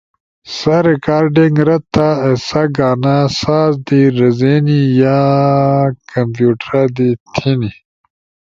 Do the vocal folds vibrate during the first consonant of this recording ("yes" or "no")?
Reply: no